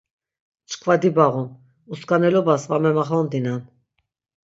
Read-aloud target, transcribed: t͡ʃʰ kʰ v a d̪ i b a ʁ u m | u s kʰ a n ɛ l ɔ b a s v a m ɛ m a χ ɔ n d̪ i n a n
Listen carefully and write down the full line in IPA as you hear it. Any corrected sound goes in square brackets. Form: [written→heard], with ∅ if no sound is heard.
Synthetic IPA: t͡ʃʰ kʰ v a d̪ i b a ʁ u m | u s [kʰ→k] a n ɛ l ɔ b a s v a m ɛ m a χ ɔ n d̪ i n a n